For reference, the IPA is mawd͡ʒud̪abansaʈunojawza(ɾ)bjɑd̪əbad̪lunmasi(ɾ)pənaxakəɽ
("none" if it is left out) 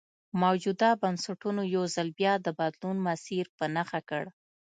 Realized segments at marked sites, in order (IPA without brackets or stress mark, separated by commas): l, ɾ